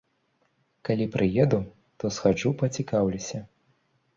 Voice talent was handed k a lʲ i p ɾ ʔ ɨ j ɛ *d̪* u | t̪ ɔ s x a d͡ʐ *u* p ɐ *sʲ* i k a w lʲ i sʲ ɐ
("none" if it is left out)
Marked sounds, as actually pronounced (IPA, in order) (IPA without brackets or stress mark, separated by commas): d̪, u, t͡sʲ